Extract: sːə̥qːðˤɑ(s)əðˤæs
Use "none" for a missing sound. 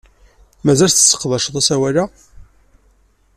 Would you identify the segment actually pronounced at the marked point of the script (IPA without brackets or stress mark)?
ʃ